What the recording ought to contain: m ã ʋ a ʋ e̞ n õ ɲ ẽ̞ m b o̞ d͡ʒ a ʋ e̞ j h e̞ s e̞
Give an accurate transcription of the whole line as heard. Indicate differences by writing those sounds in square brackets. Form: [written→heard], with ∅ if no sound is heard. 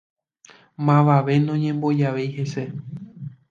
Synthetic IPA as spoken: m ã ʋ a ʋ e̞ n õ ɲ ẽ̞ m b o̞ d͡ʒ a ʋ e̞ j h e̞ s e̞